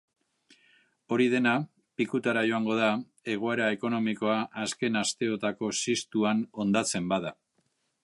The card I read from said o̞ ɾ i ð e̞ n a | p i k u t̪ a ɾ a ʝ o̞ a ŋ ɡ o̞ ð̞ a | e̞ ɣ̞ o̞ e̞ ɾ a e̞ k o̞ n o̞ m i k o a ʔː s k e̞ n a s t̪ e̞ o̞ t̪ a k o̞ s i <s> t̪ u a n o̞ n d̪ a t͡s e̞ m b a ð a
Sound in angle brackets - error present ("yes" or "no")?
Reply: no